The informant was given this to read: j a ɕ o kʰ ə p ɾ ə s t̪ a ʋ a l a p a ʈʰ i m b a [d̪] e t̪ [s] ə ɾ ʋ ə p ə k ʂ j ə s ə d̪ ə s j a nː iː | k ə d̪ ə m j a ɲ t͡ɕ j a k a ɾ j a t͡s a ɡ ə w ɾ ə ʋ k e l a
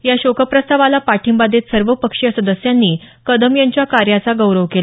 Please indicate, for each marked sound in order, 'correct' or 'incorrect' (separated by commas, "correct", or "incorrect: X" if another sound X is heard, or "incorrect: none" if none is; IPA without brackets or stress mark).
correct, correct